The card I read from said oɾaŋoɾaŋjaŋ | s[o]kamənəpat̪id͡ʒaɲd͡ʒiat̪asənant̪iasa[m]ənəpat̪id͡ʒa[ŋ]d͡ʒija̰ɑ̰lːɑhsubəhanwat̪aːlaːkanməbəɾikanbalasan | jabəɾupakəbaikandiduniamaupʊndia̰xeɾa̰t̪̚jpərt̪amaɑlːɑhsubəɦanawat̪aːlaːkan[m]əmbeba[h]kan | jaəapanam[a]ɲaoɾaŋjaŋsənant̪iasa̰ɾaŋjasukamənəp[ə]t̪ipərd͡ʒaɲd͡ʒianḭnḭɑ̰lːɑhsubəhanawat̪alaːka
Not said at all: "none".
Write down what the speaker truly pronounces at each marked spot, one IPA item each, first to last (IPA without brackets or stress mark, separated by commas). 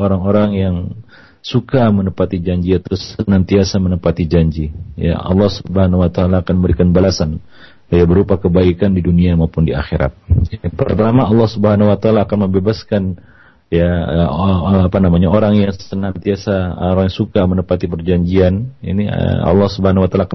u, m, ɲ, m, s, a, a